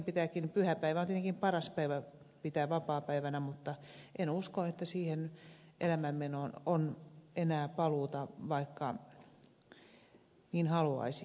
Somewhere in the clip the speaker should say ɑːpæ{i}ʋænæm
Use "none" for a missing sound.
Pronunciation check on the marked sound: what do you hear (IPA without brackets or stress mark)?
i